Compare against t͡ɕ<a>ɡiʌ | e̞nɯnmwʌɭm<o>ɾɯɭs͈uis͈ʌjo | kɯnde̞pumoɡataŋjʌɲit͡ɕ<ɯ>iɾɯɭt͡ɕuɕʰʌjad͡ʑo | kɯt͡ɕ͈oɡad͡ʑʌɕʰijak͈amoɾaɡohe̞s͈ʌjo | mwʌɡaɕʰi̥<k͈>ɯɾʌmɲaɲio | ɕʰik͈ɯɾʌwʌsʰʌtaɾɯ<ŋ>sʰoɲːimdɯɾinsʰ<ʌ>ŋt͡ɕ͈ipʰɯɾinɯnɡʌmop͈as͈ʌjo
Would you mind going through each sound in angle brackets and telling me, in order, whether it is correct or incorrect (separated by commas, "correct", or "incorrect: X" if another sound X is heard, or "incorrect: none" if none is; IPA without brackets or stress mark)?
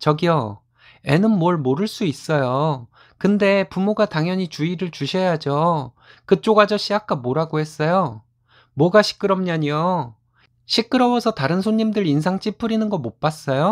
incorrect: ʌ, correct, incorrect: u, correct, incorrect: n, incorrect: a